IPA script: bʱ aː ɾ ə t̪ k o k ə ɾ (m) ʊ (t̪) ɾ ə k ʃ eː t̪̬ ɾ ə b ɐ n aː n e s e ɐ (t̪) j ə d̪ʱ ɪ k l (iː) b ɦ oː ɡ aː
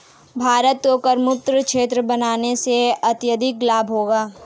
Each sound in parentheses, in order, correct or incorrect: correct, correct, correct, incorrect: aː

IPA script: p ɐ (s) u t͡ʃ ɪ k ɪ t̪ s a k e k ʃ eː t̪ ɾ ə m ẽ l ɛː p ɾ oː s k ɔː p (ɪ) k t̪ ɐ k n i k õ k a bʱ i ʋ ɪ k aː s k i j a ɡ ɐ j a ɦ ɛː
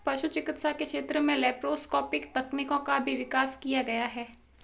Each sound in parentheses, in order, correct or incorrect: incorrect: ʃ, correct

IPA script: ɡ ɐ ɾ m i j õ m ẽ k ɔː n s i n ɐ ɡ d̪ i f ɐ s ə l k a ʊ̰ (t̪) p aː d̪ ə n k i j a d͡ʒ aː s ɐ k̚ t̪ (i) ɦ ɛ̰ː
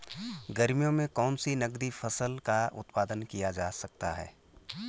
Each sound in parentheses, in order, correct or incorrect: correct, incorrect: a

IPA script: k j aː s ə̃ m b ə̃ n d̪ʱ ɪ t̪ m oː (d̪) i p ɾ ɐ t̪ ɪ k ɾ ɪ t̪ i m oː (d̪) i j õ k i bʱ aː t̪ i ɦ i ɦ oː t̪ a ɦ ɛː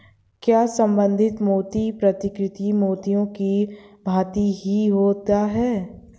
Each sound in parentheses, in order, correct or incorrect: incorrect: t̪, incorrect: t̪

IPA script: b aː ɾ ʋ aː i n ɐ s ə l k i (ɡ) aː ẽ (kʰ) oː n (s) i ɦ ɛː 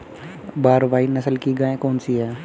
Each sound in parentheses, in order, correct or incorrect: correct, incorrect: k, correct

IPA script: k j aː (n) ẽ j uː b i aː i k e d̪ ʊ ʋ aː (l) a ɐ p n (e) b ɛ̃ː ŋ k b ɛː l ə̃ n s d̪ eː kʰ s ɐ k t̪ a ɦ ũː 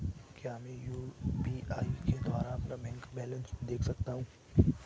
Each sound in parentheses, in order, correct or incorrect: incorrect: m, incorrect: ɾ, incorrect: a

